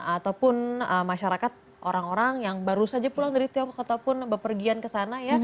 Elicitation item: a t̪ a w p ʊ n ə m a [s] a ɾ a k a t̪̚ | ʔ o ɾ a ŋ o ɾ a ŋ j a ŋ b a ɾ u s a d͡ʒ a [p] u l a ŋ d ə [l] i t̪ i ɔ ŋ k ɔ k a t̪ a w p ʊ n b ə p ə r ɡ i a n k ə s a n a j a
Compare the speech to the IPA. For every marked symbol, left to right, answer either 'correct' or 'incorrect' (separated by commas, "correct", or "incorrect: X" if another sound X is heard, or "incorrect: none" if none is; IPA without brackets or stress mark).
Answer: incorrect: ʃ, correct, incorrect: ɾ